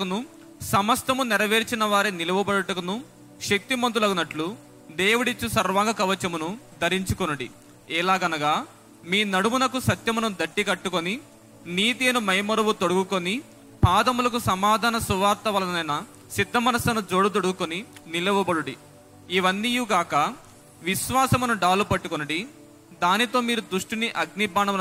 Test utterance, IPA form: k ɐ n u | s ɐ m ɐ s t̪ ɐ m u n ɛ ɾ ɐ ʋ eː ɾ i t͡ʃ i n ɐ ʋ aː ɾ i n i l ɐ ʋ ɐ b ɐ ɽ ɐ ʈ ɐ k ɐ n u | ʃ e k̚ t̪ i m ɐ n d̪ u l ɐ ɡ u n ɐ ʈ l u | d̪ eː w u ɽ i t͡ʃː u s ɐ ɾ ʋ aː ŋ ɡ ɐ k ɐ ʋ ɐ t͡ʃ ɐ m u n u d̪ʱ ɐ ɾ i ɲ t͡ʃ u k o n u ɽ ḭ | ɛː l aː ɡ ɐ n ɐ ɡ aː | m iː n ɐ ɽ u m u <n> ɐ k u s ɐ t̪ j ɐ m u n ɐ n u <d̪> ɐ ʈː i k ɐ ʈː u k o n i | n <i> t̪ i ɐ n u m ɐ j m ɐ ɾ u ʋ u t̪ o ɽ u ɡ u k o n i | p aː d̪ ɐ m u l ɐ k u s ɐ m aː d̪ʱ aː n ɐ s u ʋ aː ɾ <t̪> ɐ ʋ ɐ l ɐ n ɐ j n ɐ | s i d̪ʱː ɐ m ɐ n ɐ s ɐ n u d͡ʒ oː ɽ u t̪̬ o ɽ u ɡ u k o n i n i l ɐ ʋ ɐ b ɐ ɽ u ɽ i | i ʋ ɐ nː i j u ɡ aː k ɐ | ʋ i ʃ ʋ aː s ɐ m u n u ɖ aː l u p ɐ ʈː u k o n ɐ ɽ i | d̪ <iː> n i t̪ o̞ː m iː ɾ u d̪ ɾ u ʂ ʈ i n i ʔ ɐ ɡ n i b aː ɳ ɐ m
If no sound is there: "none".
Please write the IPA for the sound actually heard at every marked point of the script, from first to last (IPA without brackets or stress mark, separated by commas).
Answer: n, d̪, iː, t̪, aː